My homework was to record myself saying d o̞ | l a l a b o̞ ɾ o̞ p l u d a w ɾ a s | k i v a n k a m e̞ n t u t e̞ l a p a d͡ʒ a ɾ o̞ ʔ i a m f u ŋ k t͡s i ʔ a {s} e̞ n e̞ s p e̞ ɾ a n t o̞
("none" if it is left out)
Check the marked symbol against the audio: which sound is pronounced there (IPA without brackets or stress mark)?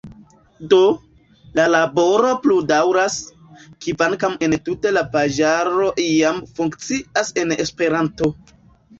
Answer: s